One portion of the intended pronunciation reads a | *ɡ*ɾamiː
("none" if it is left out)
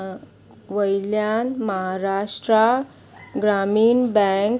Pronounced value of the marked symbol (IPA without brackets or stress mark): ɡ